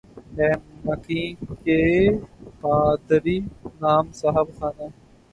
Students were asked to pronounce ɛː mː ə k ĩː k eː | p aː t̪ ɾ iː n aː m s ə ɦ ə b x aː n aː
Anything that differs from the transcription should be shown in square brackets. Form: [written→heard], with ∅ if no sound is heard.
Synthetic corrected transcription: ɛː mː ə k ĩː k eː | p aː [t̪→d̪] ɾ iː n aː m s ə ɦ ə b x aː n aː